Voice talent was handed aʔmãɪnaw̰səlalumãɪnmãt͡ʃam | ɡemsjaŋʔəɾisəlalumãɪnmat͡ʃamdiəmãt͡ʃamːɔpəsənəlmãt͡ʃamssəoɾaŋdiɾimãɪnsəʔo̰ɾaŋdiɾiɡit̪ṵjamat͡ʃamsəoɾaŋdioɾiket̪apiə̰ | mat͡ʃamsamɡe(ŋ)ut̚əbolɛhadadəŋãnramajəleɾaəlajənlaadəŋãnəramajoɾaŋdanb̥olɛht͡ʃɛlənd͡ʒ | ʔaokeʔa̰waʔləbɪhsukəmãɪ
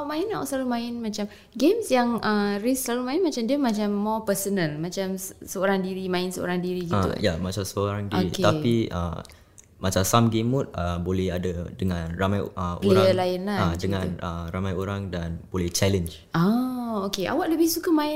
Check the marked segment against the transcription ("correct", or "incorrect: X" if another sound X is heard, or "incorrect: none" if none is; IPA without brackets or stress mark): incorrect: m